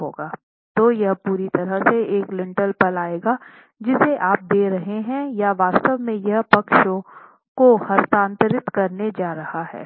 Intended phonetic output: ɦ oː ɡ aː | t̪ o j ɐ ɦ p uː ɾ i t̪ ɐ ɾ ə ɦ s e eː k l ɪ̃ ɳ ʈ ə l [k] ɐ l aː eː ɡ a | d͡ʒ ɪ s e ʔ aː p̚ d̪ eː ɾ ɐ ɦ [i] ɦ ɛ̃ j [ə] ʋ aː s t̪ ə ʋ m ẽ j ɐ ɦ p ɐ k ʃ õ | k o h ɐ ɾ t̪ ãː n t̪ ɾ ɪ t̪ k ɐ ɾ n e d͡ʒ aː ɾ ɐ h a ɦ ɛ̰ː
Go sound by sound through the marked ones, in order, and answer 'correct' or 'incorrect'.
incorrect: p, incorrect: e, incorrect: a

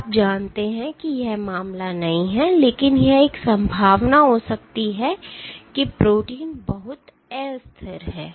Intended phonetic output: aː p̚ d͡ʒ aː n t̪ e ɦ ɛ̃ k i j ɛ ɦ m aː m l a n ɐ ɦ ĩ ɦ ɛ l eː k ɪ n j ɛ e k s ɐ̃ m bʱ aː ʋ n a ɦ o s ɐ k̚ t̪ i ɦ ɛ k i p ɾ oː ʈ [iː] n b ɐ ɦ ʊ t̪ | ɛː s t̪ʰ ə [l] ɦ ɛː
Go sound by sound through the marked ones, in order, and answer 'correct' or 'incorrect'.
correct, incorrect: ɾ

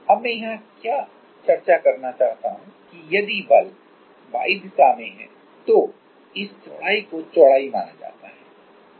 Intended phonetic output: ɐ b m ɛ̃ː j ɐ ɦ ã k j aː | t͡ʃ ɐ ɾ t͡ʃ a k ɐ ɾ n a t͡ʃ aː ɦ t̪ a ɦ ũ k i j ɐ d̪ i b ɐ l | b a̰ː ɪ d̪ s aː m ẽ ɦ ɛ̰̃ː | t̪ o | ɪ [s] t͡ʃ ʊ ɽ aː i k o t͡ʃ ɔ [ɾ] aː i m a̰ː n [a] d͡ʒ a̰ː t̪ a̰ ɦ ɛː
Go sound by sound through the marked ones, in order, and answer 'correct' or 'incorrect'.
correct, incorrect: ɽ, correct

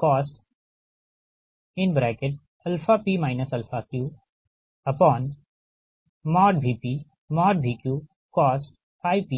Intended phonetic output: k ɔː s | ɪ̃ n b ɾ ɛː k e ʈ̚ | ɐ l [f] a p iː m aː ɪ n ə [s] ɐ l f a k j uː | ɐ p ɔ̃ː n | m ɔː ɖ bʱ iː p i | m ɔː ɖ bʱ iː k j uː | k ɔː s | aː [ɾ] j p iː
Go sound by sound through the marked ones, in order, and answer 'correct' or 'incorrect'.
correct, correct, incorrect: none

